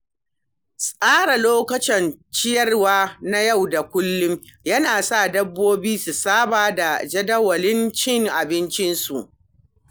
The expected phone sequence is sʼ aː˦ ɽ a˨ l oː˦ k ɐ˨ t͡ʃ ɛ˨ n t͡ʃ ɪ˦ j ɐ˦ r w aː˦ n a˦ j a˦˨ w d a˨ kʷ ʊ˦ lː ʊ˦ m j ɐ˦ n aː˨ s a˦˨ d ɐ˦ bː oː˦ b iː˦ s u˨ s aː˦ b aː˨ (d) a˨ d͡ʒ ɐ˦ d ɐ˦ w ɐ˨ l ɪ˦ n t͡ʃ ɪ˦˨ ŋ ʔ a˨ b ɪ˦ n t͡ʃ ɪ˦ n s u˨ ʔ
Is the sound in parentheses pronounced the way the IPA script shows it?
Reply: yes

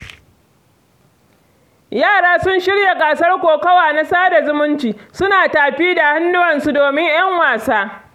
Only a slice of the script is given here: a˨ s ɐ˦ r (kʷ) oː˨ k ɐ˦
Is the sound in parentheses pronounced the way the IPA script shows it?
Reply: yes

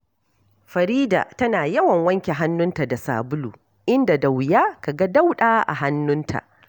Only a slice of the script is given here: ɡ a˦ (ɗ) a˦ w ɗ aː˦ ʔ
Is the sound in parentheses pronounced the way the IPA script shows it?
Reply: no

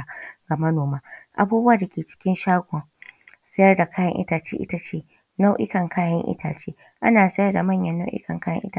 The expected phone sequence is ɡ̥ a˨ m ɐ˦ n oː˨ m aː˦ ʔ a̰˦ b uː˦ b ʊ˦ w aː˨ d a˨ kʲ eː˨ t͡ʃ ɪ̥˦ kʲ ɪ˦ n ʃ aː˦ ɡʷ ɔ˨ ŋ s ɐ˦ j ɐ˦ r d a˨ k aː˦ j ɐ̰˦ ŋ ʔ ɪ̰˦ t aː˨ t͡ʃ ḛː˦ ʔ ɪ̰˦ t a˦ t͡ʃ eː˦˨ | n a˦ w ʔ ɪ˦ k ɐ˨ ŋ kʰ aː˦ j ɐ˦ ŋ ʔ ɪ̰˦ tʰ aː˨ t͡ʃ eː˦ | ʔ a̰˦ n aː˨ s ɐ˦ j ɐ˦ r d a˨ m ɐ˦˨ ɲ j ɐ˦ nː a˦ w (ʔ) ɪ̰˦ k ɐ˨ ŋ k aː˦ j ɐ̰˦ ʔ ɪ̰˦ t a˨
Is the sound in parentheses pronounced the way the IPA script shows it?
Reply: yes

